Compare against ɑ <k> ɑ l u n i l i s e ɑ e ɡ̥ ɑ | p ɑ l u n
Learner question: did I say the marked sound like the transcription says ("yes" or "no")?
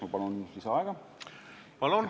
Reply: no